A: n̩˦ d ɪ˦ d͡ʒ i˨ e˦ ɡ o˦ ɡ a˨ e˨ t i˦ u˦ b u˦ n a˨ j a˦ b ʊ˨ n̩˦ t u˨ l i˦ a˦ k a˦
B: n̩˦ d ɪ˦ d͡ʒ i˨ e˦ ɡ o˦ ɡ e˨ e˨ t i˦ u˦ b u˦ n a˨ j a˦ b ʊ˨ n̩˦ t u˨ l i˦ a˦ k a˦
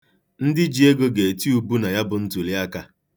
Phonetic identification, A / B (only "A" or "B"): B